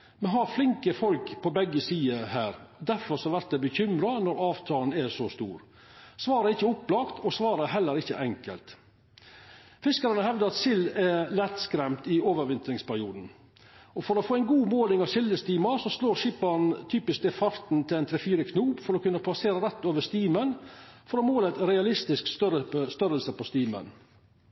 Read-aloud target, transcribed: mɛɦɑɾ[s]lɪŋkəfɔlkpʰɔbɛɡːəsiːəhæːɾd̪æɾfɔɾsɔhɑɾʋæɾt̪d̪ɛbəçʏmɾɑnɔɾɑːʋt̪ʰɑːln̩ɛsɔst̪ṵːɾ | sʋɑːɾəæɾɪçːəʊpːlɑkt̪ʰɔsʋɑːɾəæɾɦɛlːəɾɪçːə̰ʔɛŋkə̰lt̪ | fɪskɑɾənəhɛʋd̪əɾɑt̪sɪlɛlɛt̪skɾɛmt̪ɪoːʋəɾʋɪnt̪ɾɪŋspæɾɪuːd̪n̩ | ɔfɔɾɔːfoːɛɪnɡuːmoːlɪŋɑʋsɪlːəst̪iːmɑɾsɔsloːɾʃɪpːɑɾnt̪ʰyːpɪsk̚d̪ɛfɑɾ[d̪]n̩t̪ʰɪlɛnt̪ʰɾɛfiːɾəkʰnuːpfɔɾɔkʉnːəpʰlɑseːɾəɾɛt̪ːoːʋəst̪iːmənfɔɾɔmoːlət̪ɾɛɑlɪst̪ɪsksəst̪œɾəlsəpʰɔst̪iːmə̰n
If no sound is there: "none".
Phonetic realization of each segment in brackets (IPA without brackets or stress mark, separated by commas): f, t̪